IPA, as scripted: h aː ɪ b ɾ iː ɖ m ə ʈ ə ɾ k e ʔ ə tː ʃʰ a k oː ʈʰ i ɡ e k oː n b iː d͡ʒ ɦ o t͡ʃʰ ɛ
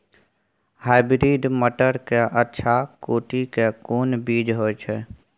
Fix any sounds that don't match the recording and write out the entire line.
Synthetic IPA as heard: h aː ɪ b ɾ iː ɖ m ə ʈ ə ɾ k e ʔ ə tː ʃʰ a k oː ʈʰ i k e k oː n b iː d͡ʒ ɦ o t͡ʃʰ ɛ